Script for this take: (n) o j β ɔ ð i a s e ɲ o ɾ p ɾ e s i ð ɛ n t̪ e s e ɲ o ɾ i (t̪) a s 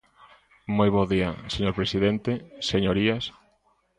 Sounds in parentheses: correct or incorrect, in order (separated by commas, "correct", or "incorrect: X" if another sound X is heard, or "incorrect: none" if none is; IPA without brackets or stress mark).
incorrect: m, incorrect: none